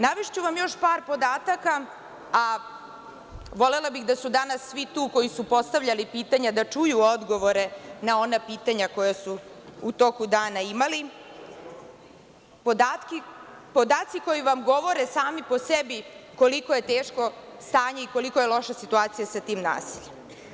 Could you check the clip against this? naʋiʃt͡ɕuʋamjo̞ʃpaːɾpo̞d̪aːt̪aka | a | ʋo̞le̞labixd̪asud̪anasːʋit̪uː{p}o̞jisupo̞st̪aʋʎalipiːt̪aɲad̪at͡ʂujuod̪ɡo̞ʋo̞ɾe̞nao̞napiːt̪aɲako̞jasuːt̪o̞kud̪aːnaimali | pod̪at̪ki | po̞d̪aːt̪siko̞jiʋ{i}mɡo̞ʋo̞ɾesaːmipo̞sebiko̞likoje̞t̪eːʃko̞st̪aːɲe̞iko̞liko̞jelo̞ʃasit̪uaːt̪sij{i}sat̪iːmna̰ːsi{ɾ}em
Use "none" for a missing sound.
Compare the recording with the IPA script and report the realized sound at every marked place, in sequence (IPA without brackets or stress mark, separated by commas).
k, a, a, ʎ